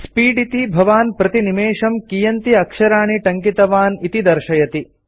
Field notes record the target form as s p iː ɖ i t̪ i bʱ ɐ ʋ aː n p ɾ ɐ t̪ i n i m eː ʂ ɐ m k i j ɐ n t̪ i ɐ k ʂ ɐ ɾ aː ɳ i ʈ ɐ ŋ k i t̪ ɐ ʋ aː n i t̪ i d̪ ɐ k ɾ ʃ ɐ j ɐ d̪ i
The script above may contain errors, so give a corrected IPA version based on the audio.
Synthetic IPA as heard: s p iː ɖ i t̪ i bʱ ɐ ʋ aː n p ɾ ɐ t̪ i n i m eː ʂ ɐ m k i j ɐ n t̪ i ɐ k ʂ ɐ ɾ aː ɳ i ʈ ɐ ŋ k i t̪ ɐ ʋ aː n i t̪ i d̪ ɐ ɾ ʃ ɐ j ɐ t̪ i